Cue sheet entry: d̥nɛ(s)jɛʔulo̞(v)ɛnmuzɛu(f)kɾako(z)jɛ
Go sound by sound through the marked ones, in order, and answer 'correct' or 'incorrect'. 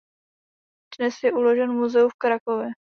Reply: correct, incorrect: ʒ, correct, incorrect: v

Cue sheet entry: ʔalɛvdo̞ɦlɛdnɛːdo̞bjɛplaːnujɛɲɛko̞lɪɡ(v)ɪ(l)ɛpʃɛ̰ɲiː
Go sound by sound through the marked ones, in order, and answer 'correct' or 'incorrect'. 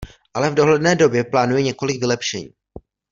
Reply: correct, correct

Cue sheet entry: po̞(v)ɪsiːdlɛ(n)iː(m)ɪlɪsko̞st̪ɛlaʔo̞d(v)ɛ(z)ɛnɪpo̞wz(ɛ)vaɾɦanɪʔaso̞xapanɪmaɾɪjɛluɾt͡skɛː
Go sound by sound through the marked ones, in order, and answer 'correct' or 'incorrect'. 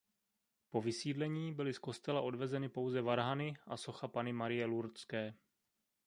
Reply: correct, incorrect: ɲ, incorrect: b, correct, correct, correct

